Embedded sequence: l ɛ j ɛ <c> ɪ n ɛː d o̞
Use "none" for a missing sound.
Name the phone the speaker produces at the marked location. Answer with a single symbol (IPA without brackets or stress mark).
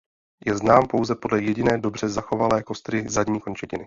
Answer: ɟ